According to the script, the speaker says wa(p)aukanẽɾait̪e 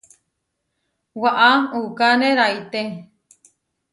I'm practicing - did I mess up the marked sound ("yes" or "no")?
yes